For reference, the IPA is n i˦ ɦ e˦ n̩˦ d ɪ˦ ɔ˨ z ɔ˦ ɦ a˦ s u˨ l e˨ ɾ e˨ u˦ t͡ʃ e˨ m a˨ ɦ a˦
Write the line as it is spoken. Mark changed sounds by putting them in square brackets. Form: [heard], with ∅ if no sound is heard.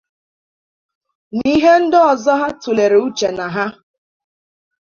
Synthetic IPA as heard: n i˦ ɦ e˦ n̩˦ d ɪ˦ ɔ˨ z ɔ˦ ɦ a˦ [t] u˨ l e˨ ɾ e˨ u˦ t͡ʃ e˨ [n] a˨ ɦ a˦